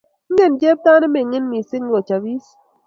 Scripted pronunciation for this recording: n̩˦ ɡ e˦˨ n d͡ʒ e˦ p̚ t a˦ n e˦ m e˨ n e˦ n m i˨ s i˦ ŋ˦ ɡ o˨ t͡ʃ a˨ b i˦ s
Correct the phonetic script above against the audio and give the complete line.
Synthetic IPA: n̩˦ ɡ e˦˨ n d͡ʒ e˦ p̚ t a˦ n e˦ m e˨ ŋ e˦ n m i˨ s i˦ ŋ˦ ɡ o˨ t͡ʃ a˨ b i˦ s